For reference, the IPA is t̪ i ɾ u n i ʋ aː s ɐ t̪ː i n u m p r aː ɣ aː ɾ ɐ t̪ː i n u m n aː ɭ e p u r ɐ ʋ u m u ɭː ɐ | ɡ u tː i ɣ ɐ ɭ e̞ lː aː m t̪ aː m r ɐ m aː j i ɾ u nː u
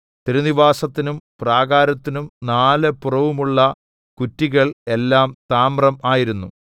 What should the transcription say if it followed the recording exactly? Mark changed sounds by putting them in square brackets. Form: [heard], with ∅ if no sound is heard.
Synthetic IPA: t̪ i ɾ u n i ʋ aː s ɐ t̪ː i n u m p r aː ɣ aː ɾ ɐ t̪ː i n u m n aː [l] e p u r ɐ ʋ u m u ɭː ɐ | [k] u tː i ɣ ɐ ɭ e̞ lː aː m t̪ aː m r ɐ m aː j i ɾ u nː u